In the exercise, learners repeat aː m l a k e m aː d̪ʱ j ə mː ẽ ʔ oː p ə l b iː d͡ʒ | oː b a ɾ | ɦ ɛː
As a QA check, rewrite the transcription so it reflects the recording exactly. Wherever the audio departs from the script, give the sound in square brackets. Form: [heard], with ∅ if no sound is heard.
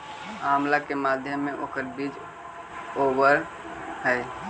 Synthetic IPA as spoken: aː m l a k e m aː d̪ʱ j ə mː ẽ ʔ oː [k] ə [ɾ] b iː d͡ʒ | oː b [ə] ɾ | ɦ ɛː